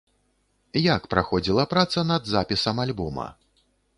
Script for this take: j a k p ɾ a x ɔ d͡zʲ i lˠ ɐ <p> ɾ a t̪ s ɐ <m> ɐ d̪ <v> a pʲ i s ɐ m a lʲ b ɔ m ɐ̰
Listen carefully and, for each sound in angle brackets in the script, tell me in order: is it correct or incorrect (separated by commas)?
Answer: correct, incorrect, incorrect